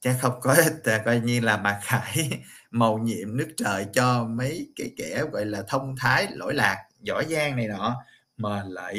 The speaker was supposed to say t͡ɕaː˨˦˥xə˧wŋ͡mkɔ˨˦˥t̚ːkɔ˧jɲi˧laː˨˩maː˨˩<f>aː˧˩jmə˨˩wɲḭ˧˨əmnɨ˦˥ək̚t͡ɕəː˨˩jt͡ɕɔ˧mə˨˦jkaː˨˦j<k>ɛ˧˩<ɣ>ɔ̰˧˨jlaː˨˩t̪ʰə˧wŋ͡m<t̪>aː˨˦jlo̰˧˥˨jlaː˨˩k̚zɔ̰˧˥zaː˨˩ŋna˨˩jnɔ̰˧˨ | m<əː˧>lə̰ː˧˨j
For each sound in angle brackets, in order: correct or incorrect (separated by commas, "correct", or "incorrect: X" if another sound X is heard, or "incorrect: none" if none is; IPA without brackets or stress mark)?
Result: incorrect: x, correct, correct, incorrect: t̪ʰ, incorrect: əː˨˩